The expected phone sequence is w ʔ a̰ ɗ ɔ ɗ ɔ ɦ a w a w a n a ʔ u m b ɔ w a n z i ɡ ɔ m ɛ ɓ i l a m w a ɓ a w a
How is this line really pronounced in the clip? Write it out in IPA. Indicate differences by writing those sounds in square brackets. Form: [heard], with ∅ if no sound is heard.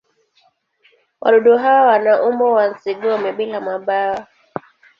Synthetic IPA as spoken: w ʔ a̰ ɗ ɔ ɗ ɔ ɦ a w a w a n a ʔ u m b ɔ w a n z i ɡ ɔ m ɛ ɓ i l a m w a ɓ a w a